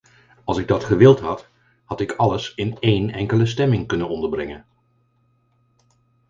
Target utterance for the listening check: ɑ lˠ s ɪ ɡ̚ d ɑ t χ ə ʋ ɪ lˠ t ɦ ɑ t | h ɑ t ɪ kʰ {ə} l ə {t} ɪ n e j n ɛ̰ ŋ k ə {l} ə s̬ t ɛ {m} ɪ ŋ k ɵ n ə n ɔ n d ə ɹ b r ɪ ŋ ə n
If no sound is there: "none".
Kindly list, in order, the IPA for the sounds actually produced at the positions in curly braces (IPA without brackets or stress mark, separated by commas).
ɑ, s, l, m